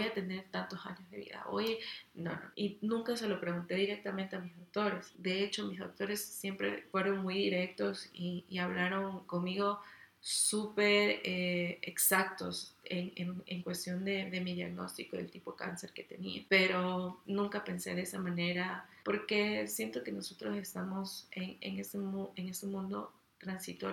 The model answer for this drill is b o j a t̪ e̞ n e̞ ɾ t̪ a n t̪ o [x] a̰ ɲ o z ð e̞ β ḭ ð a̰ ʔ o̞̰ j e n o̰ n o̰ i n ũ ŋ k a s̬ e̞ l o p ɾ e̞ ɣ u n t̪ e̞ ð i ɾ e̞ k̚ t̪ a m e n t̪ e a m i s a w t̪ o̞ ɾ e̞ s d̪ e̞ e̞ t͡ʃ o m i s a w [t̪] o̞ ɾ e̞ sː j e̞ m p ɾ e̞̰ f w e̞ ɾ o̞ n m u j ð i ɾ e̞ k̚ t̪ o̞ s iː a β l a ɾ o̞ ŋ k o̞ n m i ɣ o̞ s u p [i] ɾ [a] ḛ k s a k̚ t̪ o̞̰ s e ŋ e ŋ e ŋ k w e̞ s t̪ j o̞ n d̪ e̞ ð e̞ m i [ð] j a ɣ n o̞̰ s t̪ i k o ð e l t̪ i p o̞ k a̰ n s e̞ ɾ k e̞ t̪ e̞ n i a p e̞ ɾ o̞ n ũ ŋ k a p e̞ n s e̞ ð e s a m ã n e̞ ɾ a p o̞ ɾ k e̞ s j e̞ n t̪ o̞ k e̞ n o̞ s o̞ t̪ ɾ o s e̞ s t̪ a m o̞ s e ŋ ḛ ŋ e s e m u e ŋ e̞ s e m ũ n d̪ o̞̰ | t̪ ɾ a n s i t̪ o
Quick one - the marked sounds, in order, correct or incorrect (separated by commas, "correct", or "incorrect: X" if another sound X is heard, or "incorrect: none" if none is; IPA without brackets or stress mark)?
incorrect: s, correct, incorrect: e, incorrect: e, correct